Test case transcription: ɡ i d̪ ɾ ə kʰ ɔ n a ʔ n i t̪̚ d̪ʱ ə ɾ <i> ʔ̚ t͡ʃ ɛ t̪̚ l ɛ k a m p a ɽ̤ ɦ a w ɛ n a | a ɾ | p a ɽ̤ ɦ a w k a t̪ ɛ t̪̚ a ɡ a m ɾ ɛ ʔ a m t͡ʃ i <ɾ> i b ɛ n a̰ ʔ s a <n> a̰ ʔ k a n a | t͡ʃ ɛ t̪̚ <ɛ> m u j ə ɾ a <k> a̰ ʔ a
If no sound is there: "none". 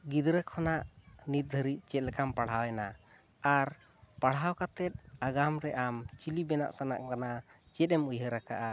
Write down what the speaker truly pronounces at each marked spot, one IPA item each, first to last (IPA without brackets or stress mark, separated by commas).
i, l, n, ɛ, k